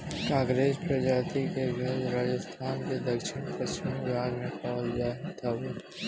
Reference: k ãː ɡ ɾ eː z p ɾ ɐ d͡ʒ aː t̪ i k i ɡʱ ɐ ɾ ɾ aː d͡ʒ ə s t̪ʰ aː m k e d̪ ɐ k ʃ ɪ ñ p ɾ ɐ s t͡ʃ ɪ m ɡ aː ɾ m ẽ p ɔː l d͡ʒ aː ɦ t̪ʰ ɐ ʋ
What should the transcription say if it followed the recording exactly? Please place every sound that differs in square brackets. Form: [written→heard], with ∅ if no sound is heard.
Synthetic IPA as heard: k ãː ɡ ɾ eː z p ɾ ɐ d͡ʒ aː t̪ i k [i→e] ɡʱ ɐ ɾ ɾ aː d͡ʒ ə s t̪ʰ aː [m→n] k e d̪ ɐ k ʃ ɪ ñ p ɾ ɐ s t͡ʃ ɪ m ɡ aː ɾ m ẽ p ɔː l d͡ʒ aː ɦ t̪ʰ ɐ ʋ